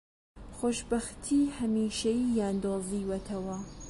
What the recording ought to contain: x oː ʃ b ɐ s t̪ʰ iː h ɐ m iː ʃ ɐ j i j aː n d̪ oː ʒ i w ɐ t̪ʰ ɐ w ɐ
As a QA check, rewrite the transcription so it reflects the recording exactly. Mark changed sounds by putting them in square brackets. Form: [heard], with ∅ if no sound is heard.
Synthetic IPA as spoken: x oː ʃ b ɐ [x] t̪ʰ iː h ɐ m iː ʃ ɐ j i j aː n d̪ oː [z] i w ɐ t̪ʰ ɐ w ɐ